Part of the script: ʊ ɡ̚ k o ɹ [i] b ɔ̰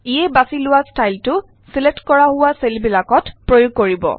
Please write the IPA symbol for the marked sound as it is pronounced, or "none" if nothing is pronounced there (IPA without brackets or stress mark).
i